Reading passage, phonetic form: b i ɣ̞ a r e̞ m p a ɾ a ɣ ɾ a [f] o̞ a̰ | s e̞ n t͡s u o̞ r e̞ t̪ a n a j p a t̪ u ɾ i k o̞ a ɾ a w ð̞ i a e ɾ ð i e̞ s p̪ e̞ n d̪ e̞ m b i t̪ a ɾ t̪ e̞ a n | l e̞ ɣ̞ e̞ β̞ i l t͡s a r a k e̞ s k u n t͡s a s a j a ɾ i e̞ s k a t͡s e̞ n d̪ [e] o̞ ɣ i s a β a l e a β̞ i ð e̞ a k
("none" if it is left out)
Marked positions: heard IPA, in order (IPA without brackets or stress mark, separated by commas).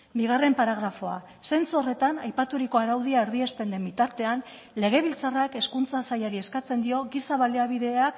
f, i